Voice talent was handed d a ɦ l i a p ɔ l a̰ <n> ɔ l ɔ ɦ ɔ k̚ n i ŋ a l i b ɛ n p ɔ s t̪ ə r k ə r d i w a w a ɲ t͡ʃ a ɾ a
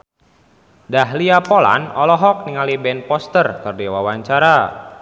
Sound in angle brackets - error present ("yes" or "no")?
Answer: no